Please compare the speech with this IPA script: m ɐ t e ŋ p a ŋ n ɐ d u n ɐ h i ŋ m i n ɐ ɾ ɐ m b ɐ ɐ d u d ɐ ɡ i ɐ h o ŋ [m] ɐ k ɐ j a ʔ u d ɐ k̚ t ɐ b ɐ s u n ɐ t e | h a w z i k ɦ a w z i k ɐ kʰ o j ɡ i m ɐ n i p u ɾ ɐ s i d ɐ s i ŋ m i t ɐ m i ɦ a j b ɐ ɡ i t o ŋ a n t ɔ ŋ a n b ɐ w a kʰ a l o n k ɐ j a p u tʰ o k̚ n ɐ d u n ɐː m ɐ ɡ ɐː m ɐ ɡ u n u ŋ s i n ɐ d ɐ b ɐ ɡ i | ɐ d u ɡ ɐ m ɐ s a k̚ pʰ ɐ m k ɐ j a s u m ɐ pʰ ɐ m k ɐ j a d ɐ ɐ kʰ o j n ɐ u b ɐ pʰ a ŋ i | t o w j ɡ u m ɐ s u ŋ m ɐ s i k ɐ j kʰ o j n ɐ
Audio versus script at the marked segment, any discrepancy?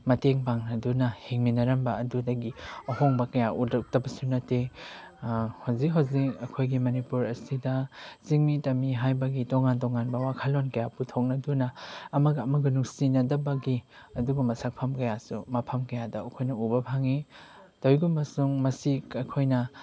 yes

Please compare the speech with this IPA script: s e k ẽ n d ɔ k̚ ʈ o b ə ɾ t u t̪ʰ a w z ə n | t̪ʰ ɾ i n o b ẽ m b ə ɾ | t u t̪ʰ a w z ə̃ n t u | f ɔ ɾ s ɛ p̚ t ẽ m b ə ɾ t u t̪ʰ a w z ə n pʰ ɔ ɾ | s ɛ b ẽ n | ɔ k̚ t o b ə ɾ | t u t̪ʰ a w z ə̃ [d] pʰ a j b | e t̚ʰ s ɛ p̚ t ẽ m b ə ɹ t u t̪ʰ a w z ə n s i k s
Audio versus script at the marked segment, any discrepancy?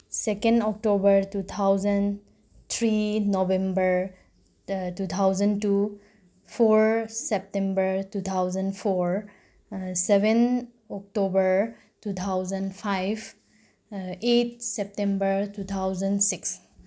yes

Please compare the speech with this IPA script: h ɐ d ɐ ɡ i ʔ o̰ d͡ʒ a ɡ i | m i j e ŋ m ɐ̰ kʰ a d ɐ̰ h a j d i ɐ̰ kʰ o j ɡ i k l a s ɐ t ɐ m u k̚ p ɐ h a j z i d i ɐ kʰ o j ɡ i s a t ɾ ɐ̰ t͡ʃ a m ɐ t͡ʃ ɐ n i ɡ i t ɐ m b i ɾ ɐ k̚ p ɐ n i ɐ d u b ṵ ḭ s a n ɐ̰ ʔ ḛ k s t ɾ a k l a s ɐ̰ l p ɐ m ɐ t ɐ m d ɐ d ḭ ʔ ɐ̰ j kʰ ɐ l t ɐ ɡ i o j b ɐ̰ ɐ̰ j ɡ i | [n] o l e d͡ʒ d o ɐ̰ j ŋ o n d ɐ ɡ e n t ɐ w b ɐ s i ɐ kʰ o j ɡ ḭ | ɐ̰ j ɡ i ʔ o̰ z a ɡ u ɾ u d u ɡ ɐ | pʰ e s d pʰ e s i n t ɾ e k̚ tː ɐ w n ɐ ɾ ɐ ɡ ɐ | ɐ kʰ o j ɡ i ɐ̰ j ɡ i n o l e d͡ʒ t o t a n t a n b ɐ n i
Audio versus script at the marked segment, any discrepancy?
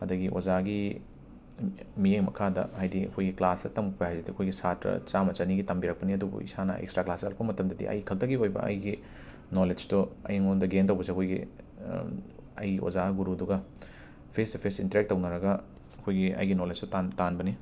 no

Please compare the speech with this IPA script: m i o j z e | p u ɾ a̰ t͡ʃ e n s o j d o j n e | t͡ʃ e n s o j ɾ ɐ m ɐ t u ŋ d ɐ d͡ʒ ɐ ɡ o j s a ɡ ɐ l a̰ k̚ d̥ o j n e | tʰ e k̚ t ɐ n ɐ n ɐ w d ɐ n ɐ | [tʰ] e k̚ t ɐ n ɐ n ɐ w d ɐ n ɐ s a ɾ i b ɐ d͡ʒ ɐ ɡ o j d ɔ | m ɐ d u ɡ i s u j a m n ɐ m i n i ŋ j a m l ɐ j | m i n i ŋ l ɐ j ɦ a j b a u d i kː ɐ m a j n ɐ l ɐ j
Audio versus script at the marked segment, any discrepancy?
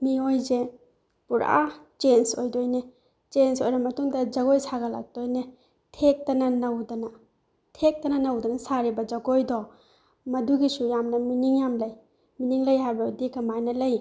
no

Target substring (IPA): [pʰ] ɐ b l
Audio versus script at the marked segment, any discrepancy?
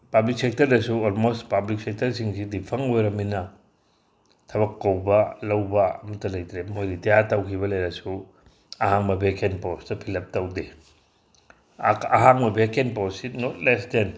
yes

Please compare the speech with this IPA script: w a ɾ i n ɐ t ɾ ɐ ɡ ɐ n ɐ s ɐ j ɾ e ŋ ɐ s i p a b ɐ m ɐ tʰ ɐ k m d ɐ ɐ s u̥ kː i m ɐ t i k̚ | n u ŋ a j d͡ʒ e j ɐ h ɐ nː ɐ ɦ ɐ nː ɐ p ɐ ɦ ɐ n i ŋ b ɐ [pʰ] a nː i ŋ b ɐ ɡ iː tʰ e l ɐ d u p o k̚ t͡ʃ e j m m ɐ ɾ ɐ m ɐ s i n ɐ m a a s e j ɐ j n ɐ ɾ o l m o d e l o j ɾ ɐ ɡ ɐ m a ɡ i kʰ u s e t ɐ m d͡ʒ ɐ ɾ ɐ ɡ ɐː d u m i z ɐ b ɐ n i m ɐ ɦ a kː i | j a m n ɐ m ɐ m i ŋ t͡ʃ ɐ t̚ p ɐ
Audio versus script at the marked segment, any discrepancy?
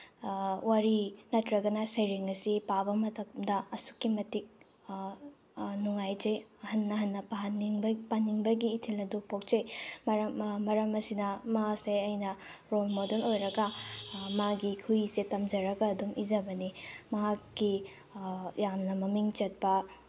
yes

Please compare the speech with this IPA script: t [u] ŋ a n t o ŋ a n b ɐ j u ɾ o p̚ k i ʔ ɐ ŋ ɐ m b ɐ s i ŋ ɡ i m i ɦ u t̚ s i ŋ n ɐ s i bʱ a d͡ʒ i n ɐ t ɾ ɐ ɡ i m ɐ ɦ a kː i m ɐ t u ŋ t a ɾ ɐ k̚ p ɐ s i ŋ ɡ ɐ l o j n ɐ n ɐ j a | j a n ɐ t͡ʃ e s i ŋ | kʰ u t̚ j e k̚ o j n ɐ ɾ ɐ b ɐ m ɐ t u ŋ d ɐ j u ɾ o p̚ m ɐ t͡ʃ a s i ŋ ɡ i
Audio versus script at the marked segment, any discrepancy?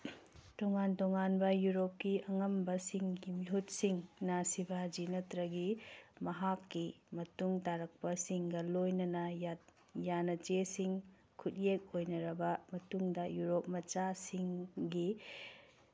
yes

